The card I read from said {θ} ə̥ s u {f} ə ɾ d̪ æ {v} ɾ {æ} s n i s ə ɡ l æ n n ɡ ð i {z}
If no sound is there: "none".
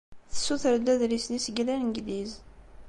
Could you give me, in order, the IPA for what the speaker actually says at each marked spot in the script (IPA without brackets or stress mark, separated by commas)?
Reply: θ, θ, ð, i, z